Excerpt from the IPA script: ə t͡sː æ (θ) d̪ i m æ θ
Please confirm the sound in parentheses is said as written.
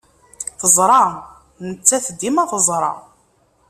yes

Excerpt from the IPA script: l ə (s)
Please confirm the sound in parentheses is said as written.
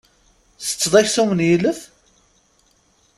no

